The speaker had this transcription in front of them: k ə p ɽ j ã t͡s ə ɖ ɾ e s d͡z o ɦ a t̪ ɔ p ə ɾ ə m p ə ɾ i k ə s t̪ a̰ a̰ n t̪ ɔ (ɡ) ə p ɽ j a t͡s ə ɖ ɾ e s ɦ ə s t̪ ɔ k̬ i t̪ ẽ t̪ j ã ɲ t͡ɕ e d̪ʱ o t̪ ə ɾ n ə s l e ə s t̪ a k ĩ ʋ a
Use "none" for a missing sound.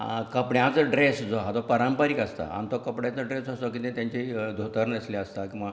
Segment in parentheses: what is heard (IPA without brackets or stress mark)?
k